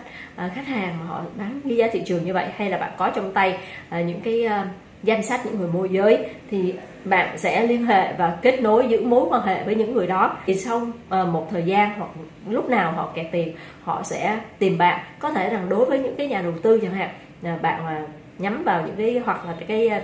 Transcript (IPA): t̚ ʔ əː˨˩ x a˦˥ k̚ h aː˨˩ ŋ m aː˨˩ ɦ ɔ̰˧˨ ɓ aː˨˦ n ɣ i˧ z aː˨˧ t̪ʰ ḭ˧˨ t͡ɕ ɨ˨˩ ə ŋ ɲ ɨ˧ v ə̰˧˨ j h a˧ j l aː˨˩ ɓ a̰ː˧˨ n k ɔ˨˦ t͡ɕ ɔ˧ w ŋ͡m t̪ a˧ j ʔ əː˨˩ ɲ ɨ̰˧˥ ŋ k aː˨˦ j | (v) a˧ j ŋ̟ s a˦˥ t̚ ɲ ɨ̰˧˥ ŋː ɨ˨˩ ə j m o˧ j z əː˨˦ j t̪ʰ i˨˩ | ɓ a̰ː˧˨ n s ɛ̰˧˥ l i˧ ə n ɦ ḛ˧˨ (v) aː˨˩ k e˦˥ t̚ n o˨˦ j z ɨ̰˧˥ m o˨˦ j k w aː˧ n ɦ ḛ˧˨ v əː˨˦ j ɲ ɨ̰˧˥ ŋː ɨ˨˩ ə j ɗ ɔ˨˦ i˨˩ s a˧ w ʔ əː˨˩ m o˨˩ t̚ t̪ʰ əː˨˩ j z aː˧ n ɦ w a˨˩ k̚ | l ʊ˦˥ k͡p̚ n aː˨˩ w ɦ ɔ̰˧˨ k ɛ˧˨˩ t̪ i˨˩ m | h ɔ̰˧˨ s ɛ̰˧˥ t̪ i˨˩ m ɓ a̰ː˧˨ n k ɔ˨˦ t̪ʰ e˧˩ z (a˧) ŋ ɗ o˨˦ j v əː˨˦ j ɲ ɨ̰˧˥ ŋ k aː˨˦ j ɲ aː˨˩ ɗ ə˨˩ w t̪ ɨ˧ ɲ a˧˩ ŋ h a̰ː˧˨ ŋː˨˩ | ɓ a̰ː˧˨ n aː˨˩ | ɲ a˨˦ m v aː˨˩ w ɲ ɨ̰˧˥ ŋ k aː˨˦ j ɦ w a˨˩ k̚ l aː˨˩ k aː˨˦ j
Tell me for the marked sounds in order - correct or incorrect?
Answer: incorrect, correct, incorrect

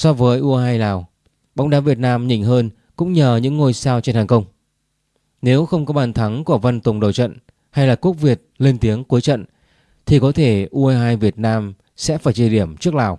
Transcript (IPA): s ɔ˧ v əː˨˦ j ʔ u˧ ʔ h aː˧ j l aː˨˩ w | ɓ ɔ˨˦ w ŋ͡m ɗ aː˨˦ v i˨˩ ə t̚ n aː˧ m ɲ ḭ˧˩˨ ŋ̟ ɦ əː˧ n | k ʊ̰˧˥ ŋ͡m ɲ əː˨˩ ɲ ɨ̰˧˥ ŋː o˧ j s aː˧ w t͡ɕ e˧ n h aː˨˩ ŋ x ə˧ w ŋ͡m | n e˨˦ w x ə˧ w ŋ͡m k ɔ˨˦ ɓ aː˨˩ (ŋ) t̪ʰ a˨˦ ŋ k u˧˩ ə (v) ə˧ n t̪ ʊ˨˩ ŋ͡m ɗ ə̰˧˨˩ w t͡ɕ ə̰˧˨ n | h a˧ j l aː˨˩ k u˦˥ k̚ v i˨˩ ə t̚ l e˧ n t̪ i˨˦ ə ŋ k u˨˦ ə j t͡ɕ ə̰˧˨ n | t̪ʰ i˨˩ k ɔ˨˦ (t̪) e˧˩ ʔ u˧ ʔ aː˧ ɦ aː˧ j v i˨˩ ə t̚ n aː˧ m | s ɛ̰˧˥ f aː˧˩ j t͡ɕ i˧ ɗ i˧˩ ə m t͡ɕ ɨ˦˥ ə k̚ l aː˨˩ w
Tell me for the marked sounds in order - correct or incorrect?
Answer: incorrect, correct, incorrect

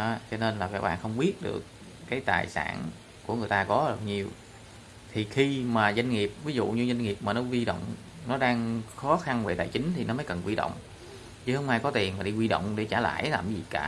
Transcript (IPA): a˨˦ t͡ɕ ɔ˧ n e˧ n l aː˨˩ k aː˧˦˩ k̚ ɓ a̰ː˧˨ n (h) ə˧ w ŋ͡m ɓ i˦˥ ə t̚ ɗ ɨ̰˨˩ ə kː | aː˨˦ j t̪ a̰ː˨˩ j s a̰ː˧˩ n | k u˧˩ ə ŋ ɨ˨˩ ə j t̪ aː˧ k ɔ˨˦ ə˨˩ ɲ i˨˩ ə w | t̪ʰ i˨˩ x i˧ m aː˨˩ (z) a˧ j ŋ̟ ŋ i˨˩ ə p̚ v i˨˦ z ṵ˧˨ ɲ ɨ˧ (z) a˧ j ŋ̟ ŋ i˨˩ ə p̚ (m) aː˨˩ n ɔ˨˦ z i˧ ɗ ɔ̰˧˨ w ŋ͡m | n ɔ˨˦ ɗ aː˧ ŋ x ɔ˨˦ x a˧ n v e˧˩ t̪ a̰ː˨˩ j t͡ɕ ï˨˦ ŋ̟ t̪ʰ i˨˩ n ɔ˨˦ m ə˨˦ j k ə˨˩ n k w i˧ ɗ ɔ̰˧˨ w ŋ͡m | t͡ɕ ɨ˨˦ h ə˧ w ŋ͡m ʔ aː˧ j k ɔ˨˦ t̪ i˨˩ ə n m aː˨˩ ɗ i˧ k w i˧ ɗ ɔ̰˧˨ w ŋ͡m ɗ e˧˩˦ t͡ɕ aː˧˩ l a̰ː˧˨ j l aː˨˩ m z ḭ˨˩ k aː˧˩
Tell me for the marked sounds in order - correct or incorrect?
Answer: incorrect, correct, correct, correct

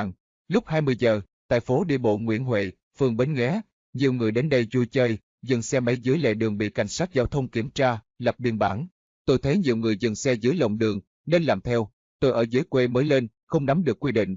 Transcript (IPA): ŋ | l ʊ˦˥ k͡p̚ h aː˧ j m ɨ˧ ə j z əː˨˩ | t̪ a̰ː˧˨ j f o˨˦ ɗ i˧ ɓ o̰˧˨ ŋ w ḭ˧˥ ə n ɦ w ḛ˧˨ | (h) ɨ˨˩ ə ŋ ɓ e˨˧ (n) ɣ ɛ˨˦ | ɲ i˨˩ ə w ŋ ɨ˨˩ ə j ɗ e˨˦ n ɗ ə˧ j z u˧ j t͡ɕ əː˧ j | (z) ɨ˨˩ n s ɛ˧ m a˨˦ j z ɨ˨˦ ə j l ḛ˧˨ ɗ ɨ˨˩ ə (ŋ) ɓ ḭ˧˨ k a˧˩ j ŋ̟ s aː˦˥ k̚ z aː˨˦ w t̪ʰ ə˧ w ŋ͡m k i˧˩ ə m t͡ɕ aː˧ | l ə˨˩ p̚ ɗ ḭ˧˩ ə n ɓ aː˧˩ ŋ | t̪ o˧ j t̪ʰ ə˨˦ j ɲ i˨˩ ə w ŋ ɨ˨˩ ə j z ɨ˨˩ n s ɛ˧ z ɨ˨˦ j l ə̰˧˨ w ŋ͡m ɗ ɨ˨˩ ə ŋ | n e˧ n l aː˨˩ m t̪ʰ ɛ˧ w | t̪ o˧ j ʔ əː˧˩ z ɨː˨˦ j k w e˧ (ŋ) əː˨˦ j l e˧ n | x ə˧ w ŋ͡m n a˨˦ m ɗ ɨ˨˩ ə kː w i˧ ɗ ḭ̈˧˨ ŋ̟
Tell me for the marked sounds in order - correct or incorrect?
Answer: incorrect, correct, correct, correct, incorrect

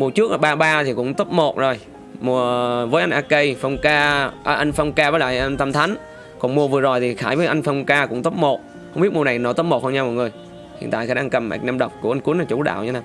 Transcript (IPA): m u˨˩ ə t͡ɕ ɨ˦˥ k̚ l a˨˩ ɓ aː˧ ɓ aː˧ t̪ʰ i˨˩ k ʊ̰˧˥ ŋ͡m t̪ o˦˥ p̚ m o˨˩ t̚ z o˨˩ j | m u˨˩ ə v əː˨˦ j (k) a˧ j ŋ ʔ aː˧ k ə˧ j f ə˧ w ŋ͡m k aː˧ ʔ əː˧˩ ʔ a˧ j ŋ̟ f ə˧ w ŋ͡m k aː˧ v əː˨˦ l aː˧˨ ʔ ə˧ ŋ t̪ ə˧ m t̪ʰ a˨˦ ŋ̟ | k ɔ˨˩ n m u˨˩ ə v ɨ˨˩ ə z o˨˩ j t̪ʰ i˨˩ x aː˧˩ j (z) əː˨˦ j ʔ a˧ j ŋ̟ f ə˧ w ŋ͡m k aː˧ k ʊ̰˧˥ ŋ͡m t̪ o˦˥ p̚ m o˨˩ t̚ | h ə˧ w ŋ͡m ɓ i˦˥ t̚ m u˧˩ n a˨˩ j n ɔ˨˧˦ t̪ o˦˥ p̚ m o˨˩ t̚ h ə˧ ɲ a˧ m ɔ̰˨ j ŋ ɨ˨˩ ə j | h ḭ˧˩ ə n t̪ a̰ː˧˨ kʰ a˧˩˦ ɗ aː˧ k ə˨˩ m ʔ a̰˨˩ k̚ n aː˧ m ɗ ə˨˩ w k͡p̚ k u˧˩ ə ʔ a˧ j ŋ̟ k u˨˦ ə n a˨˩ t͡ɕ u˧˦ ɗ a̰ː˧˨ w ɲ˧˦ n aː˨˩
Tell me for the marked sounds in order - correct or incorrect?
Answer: incorrect, incorrect

